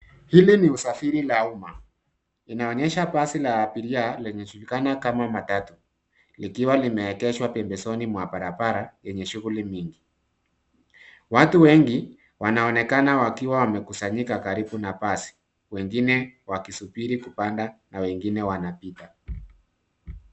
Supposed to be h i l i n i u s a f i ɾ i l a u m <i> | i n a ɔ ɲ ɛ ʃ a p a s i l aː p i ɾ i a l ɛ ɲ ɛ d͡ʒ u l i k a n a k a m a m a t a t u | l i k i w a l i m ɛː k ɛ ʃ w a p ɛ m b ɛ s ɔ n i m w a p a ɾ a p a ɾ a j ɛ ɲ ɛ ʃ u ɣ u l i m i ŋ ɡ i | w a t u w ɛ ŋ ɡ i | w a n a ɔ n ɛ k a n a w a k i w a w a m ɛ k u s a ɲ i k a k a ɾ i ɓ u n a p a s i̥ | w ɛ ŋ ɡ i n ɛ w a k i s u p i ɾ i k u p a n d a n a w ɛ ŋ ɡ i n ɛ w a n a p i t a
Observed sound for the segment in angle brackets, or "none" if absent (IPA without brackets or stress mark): a